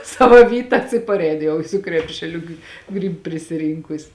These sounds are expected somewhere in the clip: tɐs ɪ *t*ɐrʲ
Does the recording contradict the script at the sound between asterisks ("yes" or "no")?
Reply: yes